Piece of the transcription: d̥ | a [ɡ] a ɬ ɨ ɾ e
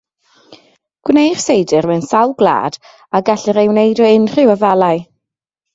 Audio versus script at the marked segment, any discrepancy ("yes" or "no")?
no